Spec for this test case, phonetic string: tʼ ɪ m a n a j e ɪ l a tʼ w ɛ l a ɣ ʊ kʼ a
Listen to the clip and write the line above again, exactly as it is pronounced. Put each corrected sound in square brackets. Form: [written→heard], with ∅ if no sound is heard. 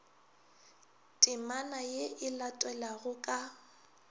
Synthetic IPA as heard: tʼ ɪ m a n a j e ɪ l a tʼ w ɛ l a ɣ ʊ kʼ a